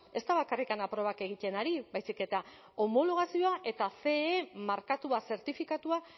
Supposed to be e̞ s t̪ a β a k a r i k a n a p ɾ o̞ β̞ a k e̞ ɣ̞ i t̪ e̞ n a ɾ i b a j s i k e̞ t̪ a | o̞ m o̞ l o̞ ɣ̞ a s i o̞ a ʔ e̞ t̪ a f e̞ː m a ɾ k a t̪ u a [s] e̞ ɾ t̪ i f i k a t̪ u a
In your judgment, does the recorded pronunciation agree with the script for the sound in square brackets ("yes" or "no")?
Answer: yes